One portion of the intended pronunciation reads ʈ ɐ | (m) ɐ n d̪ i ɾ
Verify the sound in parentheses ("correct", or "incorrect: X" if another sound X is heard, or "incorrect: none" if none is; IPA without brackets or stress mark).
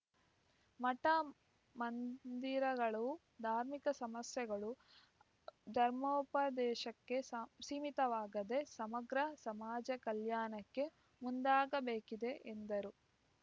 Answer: correct